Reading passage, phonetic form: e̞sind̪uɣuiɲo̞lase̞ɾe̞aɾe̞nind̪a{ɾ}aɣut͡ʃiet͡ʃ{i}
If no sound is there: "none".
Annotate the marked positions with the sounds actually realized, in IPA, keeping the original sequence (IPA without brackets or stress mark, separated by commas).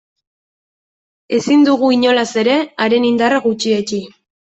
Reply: r, i